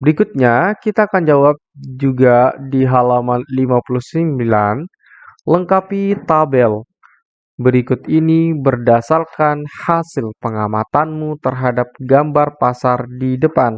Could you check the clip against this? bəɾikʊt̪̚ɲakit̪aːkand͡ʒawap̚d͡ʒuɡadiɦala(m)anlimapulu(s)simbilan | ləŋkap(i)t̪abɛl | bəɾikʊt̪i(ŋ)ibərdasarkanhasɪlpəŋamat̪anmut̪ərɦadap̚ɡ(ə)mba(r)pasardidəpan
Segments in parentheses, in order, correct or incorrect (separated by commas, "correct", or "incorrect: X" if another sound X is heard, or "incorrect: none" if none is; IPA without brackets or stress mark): correct, incorrect: h, correct, incorrect: n, incorrect: a, correct